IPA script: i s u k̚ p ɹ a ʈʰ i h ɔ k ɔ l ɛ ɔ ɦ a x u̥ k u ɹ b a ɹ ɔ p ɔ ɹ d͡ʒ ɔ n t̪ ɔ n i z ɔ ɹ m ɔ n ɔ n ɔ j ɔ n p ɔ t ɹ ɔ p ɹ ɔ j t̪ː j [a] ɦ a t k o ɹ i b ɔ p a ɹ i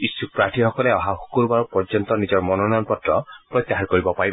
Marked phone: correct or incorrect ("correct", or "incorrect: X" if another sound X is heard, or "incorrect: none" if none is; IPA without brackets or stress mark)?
correct